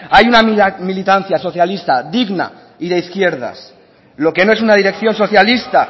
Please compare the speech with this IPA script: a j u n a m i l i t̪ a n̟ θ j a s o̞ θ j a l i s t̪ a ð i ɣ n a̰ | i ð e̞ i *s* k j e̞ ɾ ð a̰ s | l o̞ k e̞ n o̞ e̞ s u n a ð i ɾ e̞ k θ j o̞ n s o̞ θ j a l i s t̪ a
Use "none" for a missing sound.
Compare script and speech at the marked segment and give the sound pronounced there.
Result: θ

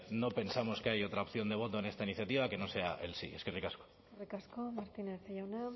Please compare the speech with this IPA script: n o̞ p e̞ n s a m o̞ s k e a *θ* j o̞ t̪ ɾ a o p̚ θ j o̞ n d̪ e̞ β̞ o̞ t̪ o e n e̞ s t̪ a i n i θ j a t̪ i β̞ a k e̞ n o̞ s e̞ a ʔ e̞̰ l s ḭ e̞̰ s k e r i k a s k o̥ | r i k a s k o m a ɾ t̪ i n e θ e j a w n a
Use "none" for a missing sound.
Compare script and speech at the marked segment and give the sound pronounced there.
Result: none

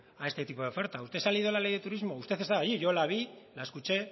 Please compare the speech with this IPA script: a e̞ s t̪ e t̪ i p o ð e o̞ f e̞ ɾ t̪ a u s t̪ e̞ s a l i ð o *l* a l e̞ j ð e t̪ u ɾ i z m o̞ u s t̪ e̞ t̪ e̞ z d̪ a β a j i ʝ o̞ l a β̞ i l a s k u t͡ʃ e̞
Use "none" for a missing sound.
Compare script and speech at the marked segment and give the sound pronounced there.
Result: l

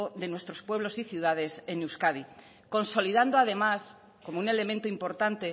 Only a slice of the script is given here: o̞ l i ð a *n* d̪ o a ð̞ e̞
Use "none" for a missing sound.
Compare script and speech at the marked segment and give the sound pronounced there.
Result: n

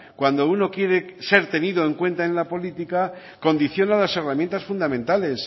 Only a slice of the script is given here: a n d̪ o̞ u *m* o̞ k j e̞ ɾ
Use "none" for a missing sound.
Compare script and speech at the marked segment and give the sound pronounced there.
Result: n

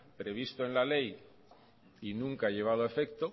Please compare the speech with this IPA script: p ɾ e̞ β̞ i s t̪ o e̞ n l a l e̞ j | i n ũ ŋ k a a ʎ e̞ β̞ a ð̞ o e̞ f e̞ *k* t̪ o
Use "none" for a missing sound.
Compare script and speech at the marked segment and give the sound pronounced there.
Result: k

